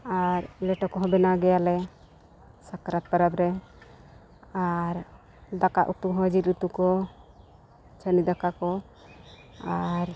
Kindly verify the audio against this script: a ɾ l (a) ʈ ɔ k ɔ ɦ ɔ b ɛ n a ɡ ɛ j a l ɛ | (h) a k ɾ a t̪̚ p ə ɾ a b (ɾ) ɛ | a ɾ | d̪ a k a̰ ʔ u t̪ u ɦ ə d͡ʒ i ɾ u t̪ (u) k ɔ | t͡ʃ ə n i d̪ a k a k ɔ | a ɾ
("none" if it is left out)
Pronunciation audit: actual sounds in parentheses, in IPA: ɛ, s, ɾ, u

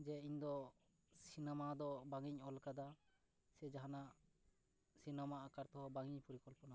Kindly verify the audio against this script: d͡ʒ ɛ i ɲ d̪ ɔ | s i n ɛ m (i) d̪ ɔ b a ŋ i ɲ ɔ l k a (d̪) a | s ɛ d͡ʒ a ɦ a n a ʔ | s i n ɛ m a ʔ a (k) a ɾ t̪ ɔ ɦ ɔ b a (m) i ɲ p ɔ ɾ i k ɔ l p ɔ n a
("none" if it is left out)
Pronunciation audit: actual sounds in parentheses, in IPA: a, d̪, k, ŋ

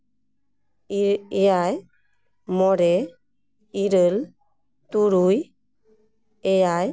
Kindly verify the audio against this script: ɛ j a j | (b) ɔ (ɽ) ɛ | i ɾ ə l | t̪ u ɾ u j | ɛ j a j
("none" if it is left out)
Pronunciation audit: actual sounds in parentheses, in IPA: m, ɾ

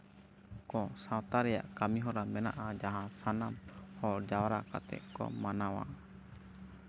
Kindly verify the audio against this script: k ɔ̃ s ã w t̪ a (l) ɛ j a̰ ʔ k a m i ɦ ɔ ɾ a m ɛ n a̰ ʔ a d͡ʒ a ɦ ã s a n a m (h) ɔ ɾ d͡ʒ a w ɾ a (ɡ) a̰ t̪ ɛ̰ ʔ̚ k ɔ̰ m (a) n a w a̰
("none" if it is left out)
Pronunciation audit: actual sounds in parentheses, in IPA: ɾ, h, k, a

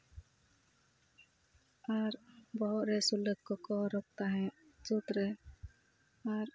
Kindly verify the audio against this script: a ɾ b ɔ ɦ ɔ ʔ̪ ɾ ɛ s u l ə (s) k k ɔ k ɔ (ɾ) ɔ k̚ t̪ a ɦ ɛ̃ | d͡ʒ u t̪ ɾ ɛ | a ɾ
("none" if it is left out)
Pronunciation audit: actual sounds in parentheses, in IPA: none, ɾ

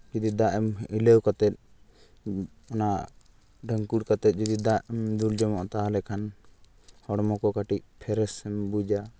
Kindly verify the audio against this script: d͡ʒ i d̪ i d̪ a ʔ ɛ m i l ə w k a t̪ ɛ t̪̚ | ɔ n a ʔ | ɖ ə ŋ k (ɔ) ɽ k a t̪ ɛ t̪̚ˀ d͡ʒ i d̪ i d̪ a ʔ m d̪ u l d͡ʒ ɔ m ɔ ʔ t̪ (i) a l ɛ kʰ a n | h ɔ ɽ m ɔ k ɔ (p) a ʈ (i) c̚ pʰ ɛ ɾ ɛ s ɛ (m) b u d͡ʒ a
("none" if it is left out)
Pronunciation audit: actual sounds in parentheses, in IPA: u, a, k, i, m

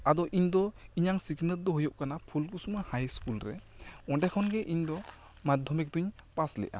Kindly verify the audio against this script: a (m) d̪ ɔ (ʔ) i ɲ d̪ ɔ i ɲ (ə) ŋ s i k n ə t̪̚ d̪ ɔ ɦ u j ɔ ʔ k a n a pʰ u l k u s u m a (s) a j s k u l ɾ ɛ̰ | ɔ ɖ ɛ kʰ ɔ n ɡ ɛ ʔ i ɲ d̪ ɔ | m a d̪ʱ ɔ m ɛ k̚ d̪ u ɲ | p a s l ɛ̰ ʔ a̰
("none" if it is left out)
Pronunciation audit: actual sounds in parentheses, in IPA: none, ʔ, a, h

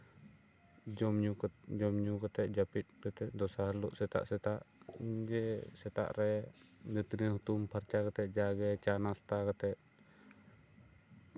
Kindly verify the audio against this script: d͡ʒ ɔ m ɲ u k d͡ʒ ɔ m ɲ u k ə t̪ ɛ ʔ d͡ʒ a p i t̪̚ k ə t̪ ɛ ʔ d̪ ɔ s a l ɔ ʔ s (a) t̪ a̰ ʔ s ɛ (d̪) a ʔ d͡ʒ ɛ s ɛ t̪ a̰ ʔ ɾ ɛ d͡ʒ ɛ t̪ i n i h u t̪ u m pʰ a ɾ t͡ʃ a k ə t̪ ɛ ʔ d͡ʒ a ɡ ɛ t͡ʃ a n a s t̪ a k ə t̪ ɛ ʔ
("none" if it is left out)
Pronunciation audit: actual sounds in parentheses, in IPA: ɛ, t̪

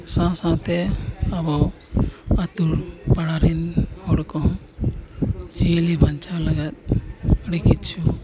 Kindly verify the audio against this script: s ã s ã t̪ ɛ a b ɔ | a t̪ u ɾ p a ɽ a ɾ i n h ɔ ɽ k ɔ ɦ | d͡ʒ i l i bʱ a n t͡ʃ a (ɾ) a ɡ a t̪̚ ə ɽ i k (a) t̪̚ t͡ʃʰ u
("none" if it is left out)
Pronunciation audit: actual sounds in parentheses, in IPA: l, i

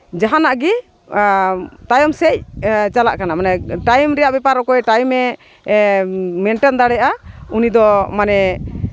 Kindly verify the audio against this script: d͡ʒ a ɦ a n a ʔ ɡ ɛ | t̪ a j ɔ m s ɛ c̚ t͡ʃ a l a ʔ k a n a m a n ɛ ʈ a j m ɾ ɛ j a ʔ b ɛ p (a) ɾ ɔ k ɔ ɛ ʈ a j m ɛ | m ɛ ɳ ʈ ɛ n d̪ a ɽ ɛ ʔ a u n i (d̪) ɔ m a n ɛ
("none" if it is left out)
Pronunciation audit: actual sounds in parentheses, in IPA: a, d̪

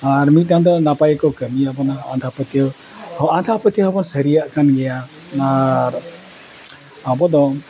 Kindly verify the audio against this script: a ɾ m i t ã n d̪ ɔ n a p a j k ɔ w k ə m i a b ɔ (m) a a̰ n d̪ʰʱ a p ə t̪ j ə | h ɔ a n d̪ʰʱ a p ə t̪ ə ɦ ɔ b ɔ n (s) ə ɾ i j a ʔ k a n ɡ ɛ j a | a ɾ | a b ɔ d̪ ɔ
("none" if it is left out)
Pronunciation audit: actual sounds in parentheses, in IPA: n, s

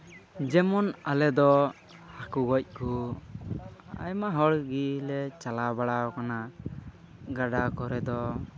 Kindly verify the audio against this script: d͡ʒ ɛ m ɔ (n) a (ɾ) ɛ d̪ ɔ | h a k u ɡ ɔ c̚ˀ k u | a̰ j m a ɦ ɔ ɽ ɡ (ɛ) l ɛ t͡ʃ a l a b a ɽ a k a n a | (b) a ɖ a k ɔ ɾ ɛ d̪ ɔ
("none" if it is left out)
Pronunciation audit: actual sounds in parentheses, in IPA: n, l, i, ɡ

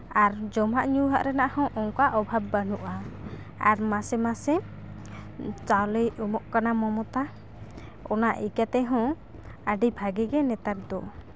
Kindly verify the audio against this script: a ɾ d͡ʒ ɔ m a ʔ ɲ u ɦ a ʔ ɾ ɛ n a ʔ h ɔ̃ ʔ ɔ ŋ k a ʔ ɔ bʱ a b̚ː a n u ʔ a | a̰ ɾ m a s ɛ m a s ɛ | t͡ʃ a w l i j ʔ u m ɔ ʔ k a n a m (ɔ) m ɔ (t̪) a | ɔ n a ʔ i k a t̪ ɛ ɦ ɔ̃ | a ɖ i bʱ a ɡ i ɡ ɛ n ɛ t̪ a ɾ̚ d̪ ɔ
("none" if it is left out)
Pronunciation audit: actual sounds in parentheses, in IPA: ɔ, t̪

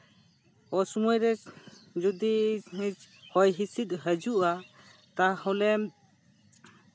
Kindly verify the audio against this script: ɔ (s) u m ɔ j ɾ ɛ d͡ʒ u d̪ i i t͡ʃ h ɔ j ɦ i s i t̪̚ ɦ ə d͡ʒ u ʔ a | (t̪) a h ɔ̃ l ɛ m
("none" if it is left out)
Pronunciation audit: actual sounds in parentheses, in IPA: s, t̪

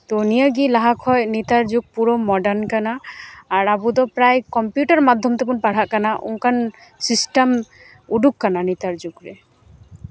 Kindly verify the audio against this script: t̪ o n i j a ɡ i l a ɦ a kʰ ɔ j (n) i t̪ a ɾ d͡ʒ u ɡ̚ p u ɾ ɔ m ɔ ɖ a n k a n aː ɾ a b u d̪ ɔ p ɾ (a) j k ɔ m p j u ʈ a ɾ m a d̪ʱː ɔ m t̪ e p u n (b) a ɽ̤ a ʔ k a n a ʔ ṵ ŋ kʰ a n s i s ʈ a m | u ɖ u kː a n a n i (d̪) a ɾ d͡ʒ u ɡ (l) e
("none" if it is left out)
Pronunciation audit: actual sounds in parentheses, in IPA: n, a, p, t̪, ɾ

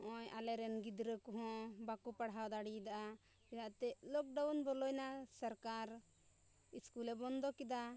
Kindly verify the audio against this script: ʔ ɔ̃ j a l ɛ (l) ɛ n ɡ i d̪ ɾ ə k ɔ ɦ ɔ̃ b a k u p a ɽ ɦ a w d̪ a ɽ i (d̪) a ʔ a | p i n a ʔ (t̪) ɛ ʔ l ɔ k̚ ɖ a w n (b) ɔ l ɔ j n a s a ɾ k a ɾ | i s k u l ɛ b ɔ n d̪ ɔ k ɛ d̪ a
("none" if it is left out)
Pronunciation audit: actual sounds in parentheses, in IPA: ɾ, d̪, t̪, b

